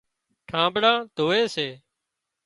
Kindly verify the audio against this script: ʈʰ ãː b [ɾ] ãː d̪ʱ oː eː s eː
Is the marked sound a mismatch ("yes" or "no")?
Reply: yes